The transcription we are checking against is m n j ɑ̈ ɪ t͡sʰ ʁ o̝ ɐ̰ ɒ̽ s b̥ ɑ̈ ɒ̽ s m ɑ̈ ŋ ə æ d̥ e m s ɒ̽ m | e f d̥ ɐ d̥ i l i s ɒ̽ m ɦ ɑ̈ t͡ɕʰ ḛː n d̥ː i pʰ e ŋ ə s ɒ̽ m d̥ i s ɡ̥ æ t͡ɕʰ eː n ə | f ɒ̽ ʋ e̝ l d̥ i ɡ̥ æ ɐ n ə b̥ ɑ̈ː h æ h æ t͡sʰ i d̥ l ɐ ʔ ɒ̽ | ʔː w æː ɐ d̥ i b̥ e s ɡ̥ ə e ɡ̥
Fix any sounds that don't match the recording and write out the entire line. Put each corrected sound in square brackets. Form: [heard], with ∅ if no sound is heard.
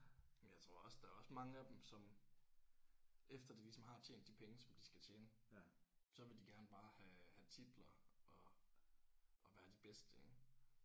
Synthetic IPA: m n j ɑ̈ ɪ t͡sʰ ʁ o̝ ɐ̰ ɒ̽ s [d̥] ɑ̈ ɒ̽ s m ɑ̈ ŋ ə æ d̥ e m s ɒ̽ m | e f d̥ ɐ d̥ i l i s ɒ̽ m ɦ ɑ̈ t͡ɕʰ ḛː n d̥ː i pʰ e ŋ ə s ɒ̽ m d̥ i s ɡ̥ æ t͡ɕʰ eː n ə | [s] ɒ̽ ʋ e̝ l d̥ i ɡ̥ æ ɐ n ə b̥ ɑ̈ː h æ h æ t͡sʰ i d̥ l ɐ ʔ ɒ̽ | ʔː [ʋ] æː ɐ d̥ i b̥ e s [d̥] ə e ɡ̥